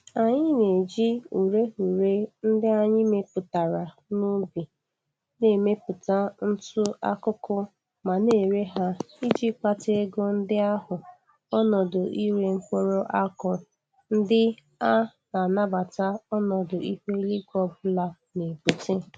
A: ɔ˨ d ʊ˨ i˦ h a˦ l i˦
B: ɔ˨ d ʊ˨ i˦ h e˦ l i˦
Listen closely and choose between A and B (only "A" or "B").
B